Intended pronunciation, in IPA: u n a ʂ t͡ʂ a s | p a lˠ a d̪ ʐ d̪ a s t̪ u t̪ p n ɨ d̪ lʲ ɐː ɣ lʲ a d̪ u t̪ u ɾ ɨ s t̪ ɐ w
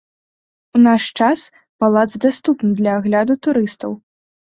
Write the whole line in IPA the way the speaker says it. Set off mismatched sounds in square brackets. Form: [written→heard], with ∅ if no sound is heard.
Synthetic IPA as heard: u n a ʂ t͡ʂ a s | p a lˠ a d̪ [ʐ→z] d̪ a s t̪ u [t̪→∅] p n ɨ d̪ lʲ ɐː ɣ lʲ a d̪ u t̪ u ɾ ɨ s t̪ ɐ w